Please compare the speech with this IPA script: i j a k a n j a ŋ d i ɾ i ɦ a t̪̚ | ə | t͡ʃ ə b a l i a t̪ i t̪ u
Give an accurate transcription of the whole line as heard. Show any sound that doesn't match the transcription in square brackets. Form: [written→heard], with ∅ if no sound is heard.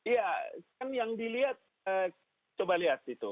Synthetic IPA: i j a k a n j a ŋ d i [ɾ→l] i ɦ a t̪̚ | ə | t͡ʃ ə b a l i a t̪ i t̪ u